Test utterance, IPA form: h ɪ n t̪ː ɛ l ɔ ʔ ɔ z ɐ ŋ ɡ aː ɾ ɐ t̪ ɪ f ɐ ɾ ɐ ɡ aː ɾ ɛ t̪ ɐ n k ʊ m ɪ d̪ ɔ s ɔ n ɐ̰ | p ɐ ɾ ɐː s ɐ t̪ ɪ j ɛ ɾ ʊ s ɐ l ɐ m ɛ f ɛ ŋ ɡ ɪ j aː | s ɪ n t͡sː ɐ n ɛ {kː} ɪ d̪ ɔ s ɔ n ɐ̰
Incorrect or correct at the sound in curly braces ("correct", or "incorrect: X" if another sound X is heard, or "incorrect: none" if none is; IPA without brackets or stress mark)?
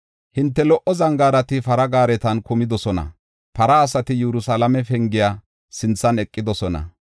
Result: incorrect: kʼː